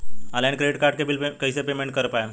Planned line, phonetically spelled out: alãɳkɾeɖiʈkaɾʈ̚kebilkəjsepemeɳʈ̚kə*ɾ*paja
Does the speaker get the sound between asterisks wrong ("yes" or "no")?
no